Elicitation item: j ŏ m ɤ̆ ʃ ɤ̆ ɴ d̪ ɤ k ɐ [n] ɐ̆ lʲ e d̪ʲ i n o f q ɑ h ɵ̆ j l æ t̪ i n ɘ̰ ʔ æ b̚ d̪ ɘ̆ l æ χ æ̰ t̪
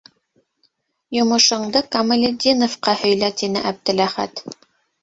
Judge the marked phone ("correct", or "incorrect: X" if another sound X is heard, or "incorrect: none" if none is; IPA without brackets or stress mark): incorrect: m